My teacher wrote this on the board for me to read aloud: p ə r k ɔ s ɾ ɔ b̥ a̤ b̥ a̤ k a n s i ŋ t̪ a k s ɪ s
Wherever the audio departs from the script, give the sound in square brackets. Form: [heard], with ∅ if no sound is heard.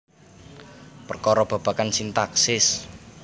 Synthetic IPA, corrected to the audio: p ə r k ɔ [∅] ɾ ɔ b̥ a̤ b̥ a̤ k a n s i [n] t̪ a k s ɪ s